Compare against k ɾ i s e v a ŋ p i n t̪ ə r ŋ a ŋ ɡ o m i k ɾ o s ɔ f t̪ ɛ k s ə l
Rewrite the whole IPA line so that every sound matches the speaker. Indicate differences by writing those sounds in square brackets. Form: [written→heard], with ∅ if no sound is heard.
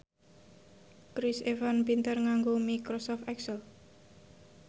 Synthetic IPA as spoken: k ɾ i s e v a [ŋ→n] p i n t̪ ə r ŋ a ŋ ɡ o m i k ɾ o s ɔ f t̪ ɛ k s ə l